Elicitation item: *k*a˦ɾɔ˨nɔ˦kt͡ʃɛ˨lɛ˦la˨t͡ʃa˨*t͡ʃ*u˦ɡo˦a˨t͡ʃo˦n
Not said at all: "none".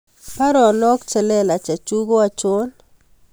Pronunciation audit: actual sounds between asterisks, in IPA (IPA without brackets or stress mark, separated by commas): p, t͡ʃ